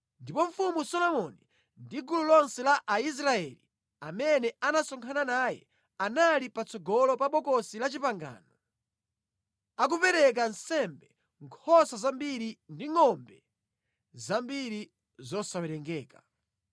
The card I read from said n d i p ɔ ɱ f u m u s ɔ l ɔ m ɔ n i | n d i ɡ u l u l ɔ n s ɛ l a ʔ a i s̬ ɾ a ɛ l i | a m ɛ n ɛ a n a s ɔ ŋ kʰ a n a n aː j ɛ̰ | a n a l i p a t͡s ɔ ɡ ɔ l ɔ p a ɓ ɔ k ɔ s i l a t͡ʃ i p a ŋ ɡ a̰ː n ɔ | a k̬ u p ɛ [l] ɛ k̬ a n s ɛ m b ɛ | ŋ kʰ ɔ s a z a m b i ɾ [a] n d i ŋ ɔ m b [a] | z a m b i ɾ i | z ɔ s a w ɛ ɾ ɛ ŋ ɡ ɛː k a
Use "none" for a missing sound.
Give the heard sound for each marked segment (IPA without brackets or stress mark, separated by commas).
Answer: ɾ, i, ɛ